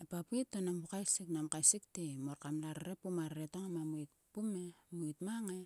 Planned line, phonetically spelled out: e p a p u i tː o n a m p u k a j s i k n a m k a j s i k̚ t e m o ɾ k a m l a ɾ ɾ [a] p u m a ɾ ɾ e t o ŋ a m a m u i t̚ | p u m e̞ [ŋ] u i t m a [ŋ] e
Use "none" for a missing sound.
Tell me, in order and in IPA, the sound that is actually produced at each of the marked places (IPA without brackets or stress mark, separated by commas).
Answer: e, m, ŋ